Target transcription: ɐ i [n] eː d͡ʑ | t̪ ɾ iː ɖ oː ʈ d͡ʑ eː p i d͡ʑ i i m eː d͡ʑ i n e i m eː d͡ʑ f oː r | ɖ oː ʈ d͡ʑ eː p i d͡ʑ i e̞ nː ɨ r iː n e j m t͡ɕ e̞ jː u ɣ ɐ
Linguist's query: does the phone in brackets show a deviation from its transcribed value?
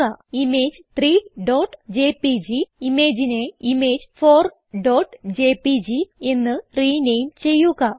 yes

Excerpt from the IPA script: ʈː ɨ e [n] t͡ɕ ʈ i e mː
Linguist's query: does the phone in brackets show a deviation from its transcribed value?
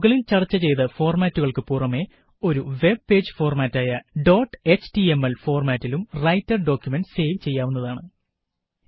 yes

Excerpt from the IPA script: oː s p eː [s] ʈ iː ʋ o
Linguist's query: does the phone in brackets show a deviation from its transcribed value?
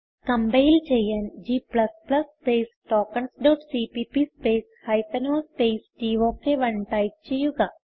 no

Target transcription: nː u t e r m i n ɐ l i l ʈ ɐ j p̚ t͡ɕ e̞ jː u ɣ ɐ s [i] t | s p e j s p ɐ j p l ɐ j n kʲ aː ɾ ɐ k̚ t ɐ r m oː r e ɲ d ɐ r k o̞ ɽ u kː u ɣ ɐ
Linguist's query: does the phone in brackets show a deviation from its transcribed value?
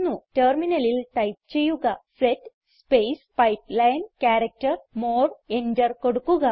yes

